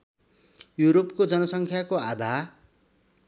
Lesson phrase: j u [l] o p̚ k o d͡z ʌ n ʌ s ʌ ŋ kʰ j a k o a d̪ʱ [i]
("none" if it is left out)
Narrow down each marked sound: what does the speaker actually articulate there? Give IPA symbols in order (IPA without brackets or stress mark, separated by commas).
ɾ, a